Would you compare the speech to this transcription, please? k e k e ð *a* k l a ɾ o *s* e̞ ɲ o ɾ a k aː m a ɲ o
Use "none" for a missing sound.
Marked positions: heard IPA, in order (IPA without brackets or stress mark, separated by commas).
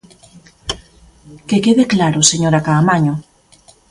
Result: e, s